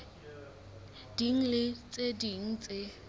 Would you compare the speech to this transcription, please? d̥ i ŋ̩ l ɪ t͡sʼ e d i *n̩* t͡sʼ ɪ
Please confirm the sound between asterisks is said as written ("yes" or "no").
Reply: no